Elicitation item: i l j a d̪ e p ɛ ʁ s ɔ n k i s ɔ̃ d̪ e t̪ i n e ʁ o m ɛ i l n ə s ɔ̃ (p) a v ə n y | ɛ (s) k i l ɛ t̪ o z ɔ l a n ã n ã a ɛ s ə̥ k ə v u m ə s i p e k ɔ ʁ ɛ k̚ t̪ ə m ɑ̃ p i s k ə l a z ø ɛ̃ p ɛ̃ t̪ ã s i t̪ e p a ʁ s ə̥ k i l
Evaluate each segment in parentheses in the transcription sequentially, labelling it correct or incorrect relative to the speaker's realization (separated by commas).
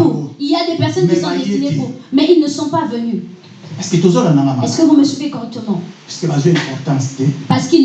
correct, correct